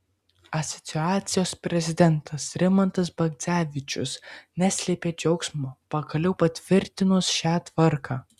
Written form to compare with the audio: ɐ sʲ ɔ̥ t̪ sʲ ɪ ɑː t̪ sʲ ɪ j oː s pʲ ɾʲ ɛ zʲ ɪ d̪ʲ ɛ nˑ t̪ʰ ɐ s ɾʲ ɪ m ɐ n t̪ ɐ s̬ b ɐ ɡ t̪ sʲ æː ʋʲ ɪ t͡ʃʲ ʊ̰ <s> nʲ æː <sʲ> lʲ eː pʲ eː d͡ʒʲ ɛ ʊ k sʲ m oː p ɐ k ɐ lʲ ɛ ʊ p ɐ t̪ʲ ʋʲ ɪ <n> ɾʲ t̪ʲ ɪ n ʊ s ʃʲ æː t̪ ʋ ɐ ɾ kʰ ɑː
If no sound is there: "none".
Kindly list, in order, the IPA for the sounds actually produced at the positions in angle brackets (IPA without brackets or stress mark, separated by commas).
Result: s, sʲ, none